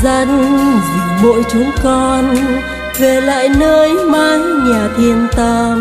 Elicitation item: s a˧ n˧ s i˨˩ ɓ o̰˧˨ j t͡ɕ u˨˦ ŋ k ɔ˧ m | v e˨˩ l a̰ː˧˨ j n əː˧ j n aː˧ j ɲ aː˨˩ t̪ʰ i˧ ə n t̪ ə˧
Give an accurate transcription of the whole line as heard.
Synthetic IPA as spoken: z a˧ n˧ z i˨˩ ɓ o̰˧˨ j t͡ɕ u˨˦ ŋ k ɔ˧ n | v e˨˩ l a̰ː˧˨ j n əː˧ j m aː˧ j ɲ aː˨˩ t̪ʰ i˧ ə n t̪ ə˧